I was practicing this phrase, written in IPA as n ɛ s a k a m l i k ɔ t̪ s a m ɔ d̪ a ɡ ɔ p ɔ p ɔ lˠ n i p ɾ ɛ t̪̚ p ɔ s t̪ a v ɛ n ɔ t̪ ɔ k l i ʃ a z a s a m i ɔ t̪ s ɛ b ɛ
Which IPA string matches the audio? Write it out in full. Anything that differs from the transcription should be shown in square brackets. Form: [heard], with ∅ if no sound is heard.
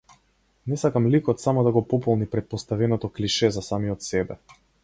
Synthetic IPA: n ɛ s a k a m l i k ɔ t̪ s a m ɔ d̪ a ɡ ɔ p ɔ p ɔ lˠ n i p ɾ ɛ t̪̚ p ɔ s t̪ a v ɛ n ɔ t̪ ɔ k l i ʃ [ɛ] z a s a m i ɔ t̪ s ɛ b ɛ